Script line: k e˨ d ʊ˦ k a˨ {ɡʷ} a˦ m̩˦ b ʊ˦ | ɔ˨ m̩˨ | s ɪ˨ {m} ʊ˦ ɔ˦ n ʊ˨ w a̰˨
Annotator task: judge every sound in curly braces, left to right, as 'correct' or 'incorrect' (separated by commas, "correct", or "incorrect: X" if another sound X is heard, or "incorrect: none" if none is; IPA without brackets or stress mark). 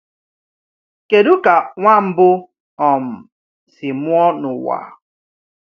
incorrect: ŋʷ, correct